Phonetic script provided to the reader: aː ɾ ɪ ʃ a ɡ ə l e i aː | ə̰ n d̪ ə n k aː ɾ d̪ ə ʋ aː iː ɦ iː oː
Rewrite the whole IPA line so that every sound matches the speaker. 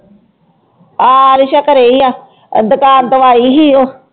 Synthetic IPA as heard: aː ɾ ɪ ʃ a k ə ɾ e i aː | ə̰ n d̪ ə k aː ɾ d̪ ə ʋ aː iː ɦ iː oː